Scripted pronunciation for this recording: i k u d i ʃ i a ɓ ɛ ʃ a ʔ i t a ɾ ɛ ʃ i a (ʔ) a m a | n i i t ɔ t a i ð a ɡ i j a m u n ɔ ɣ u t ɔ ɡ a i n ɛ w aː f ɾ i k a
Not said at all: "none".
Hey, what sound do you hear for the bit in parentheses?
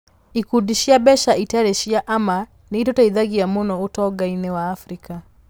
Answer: ʔ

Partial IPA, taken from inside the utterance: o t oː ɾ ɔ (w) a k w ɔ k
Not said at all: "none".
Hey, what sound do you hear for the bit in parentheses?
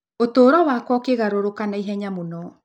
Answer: w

